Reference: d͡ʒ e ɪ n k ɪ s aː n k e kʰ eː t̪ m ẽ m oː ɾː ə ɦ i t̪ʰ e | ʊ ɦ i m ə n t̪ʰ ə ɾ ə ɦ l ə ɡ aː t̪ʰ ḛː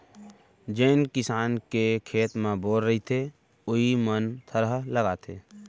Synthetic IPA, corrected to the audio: d͡ʒ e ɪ n k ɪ s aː n k e kʰ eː t̪ m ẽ b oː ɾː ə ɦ i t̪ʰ e | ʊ ɦ i m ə n t̪ʰ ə ɾ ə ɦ l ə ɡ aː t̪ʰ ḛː